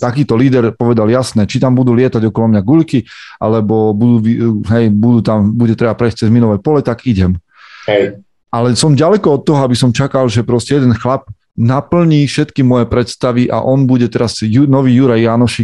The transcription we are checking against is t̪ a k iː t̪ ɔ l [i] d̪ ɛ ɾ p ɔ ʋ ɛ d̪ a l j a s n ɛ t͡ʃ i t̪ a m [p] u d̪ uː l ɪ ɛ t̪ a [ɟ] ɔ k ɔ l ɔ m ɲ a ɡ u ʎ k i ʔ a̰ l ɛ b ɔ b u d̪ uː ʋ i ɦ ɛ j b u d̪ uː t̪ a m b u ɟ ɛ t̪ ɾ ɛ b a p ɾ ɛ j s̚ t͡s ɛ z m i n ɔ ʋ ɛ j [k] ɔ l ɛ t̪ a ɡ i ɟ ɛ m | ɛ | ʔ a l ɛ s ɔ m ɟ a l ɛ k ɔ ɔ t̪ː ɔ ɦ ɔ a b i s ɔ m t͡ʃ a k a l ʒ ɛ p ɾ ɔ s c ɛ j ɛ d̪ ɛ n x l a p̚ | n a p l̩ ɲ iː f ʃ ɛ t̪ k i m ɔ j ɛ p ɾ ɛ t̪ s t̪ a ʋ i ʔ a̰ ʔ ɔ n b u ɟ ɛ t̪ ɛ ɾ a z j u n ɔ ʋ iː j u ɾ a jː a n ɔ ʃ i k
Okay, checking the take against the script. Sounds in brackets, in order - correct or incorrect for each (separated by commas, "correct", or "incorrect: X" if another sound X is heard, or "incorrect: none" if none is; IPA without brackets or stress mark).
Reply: incorrect: iː, incorrect: b, correct, incorrect: p